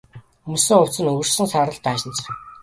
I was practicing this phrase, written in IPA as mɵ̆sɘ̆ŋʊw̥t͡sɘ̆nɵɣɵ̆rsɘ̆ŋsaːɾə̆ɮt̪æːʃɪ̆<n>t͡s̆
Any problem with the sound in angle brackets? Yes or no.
no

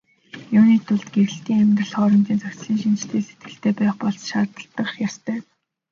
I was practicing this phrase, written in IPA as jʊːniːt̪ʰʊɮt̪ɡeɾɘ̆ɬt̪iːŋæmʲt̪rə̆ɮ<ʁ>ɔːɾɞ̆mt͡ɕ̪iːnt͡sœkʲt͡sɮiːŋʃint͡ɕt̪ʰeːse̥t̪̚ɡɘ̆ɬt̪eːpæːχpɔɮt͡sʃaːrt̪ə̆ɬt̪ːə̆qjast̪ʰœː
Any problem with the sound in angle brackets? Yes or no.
yes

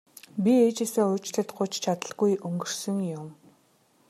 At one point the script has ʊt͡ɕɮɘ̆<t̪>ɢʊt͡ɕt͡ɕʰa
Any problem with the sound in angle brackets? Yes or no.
no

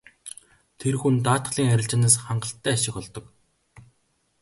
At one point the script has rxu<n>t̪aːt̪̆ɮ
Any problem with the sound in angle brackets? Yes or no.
no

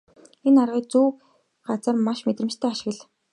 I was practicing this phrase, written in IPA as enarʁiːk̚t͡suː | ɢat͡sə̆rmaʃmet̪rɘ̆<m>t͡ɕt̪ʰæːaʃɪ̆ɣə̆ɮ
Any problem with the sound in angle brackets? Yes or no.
no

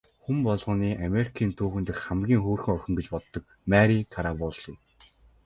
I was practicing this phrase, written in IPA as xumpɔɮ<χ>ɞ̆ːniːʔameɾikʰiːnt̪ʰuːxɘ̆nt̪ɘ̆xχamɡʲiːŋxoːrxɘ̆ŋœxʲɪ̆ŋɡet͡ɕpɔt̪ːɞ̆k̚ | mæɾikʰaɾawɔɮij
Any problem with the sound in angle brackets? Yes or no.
yes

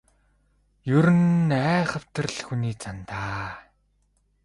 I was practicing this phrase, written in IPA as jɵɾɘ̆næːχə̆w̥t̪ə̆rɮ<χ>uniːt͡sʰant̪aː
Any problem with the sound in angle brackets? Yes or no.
yes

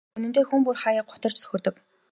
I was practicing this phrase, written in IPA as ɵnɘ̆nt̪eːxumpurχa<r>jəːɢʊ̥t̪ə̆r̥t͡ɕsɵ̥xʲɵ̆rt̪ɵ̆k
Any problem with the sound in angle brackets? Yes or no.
yes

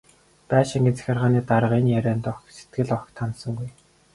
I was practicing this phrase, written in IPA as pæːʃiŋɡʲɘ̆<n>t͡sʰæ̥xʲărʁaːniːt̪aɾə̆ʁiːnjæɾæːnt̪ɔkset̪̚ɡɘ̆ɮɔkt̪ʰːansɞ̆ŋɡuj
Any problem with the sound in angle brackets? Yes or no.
no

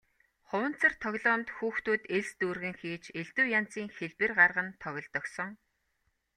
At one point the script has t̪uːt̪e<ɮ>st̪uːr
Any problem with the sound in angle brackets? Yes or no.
no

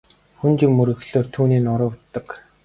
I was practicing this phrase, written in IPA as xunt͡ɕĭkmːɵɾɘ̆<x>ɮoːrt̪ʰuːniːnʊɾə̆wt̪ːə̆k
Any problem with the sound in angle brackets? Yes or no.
no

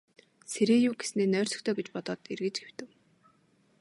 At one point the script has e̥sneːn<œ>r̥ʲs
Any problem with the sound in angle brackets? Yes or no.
yes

